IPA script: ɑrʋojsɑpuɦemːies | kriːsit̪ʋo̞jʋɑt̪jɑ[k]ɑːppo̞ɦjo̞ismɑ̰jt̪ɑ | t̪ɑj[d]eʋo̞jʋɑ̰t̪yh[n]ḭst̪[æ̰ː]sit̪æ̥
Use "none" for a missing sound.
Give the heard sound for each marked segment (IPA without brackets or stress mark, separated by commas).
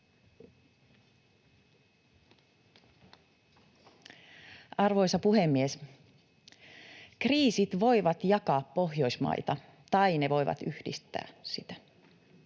k, n, d, æ̰ː